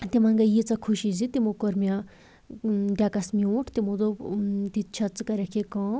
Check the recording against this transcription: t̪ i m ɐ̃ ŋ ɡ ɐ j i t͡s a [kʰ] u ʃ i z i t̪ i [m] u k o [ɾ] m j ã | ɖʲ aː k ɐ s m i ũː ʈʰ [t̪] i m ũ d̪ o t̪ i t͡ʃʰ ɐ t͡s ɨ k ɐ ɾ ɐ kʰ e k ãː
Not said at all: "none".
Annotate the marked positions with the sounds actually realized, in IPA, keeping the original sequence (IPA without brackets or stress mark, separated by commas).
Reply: kʰ, m, ɾ, t̪